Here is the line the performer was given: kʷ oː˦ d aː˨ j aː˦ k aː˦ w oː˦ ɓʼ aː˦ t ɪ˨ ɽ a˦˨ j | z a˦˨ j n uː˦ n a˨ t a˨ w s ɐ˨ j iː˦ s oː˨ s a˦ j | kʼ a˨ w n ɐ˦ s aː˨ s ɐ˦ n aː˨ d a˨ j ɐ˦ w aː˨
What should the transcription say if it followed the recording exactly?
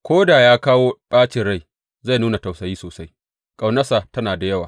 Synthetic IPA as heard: kʷ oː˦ d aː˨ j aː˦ k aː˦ w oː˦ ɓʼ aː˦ t͡ʃ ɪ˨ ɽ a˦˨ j | z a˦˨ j n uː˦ n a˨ t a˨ w s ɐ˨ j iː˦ s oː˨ s a˦ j | kʼ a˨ w n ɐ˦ s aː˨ t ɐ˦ n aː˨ d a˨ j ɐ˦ w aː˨